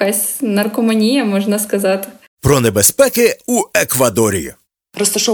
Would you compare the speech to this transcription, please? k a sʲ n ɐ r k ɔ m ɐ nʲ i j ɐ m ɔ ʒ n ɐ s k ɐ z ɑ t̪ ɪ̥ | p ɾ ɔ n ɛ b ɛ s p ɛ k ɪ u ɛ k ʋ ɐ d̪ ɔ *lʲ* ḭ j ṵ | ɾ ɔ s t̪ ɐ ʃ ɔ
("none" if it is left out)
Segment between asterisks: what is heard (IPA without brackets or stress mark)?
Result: ɾʲ